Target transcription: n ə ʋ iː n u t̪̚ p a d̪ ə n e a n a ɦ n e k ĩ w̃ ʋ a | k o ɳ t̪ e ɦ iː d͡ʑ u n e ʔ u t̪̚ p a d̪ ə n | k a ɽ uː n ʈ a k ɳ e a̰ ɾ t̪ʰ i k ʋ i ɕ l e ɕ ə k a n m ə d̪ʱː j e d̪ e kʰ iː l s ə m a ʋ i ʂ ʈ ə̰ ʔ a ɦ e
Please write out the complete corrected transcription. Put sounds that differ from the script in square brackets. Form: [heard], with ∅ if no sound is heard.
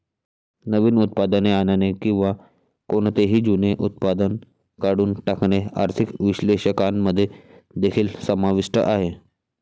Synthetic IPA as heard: n ə ʋ iː n u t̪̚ p a d̪ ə n e a n a [∅] n e k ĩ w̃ ʋ a | k o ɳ t̪ e ɦ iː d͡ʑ u n e ʔ u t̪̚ p a d̪ ə n | k a ɽ uː n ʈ a k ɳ e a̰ ɾ t̪ʰ i k ʋ i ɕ l e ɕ ə k a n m ə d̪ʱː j e d̪ e kʰ iː l s ə m a ʋ i ʂ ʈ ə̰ ʔ a ɦ e